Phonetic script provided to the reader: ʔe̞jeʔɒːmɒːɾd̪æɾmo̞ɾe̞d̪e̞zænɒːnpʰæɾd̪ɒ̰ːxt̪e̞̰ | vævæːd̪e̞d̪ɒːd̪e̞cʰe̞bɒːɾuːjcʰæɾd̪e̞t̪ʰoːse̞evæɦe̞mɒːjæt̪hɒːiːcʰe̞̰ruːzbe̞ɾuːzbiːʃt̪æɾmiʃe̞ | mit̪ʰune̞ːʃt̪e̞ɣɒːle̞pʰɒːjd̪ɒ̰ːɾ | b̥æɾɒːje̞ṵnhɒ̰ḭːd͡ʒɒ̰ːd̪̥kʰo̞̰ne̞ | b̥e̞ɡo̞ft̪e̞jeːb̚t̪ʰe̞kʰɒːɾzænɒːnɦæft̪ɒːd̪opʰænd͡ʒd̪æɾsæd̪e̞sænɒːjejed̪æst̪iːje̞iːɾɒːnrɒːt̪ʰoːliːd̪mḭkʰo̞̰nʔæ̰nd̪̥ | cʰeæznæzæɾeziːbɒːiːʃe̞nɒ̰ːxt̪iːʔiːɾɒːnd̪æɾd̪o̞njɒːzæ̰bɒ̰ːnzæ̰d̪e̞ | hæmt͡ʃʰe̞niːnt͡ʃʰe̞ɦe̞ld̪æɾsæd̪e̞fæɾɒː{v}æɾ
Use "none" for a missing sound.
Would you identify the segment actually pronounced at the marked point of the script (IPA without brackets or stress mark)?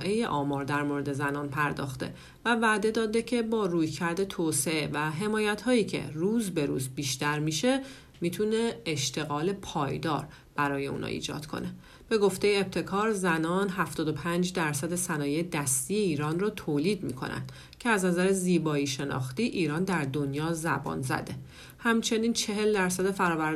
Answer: v